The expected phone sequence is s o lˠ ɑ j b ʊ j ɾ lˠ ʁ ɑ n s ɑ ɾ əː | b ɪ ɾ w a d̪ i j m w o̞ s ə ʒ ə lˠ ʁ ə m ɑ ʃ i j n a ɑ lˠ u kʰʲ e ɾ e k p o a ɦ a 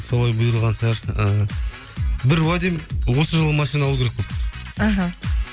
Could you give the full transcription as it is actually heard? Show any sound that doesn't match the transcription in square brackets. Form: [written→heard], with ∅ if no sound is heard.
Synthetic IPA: s o lˠ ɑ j b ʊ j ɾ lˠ ʁ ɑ n s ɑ ɾ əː | b ɪ ɾ w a d̪ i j m w o̞ s ə ʒ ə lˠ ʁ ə m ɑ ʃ i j n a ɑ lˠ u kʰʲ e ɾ e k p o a ɦ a